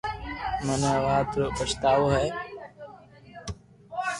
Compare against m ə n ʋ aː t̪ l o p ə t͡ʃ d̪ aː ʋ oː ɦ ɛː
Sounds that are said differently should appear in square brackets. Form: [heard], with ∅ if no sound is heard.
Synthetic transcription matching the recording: m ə n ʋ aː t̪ [ɾ] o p ə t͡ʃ [t̪] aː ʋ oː ɦ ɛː